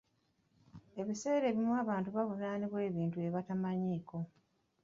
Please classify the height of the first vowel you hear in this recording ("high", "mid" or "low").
mid